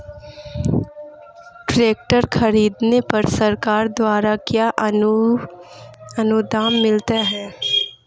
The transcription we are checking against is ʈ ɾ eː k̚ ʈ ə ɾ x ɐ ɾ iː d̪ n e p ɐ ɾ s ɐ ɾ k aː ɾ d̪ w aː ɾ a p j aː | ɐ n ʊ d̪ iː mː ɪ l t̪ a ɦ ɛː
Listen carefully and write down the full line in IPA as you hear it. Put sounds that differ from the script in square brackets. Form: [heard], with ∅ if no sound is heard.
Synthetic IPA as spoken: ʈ ɾ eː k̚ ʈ ə ɾ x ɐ ɾ iː d̪ n e p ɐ ɾ s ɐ ɾ k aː ɾ d̪ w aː ɾ a [k] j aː | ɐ n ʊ d̪ [aː] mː ɪ l t̪ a ɦ ɛː